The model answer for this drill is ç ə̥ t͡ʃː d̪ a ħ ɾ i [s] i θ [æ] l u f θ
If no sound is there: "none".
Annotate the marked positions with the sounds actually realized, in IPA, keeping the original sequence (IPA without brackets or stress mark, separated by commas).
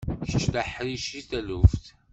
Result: ʃ, æ